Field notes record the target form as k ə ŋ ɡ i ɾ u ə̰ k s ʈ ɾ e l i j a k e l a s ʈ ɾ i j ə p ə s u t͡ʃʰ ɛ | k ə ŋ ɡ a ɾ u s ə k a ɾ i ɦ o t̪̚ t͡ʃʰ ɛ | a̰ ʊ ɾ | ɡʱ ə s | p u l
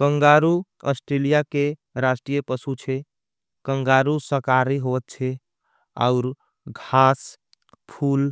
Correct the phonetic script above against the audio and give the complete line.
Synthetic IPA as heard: k ə ŋ ɡ a ɾ u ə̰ s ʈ ɾ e l i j a k e ɾ a s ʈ ɾ i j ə p ə s u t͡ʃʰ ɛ | k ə ŋ ɡ a ɾ u s ə k a ɾ i ɦ o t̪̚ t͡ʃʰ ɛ | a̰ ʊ ɾ | ɡʱ a s | pʰ u l